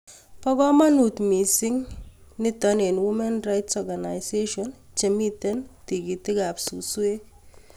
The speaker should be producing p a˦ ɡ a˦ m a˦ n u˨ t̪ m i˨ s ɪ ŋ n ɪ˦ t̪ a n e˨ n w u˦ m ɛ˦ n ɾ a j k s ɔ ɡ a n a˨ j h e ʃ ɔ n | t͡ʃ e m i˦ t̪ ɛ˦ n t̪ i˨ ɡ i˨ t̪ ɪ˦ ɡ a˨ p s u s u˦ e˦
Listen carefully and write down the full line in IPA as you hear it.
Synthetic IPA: p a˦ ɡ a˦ m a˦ n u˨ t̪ m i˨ s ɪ ŋ n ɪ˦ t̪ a n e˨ n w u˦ m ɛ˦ n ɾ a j t s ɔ ɡ a n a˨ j s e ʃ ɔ n | t͡ʃ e m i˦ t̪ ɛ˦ n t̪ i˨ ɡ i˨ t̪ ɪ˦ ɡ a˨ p s u s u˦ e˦